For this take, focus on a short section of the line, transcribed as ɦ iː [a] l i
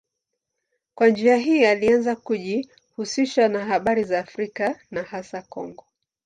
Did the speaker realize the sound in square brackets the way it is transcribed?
yes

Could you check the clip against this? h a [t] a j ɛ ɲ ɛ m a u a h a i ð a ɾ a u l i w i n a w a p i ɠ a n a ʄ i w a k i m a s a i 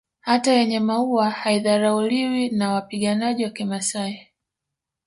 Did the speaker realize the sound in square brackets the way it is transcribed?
yes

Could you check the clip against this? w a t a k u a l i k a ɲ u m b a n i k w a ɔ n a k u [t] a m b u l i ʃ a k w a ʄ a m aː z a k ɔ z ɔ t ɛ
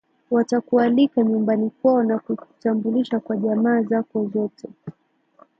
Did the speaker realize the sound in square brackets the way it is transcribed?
yes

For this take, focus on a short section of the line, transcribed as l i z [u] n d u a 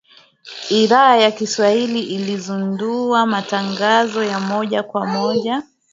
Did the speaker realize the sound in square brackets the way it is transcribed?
yes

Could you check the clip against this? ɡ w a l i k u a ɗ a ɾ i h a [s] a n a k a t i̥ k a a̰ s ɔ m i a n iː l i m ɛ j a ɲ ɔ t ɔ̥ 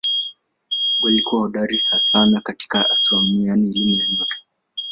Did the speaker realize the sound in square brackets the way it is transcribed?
yes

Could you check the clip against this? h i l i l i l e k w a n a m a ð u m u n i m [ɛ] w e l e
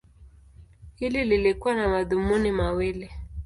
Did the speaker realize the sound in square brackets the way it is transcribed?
no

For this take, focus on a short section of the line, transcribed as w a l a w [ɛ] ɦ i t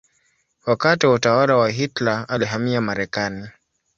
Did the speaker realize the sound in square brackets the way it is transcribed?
no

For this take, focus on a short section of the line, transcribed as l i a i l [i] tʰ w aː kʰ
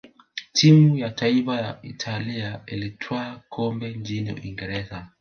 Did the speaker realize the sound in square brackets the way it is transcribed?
yes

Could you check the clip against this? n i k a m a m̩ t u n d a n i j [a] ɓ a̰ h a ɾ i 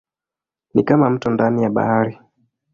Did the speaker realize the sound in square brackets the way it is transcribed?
yes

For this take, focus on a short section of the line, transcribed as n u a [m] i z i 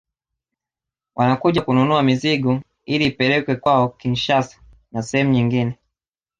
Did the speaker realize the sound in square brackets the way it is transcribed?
yes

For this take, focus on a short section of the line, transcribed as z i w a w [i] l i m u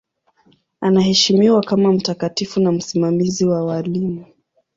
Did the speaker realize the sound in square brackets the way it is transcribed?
no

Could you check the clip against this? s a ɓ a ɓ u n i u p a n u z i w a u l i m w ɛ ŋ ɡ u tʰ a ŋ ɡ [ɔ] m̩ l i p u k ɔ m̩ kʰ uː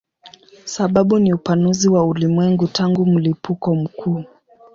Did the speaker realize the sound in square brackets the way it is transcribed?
no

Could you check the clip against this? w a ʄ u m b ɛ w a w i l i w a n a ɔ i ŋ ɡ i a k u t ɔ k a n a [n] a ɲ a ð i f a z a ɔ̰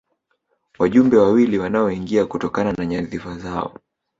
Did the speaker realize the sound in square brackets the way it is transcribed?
yes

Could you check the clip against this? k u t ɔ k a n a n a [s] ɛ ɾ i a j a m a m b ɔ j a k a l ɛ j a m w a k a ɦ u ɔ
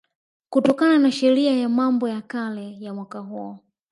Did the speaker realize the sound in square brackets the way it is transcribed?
no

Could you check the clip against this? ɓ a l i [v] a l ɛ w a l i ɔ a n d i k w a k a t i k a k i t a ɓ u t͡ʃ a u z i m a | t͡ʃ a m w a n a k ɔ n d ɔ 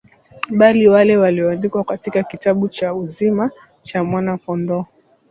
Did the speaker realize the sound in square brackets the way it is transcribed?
no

